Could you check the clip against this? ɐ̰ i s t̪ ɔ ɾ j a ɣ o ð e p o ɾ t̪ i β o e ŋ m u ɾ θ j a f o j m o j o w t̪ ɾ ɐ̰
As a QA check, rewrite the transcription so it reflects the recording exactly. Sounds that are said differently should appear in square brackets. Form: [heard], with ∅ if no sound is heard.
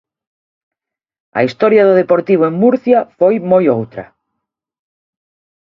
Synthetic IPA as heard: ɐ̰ i s t̪ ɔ ɾ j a [ð] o ð e p o ɾ t̪ i β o e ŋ m u ɾ θ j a f o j m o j o w t̪ ɾ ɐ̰